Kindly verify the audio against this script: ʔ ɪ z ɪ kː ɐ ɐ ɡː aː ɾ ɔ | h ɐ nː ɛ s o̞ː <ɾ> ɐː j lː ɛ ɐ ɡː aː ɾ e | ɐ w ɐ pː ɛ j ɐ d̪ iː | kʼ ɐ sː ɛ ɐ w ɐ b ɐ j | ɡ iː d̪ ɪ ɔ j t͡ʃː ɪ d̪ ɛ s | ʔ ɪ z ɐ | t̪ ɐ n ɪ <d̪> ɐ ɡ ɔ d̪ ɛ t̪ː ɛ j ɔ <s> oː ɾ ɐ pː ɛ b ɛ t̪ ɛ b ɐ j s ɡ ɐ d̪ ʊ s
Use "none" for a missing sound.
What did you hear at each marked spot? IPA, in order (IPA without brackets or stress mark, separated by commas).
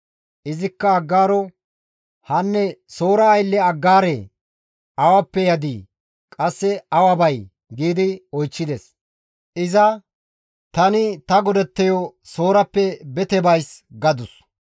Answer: ɾ, t̪, s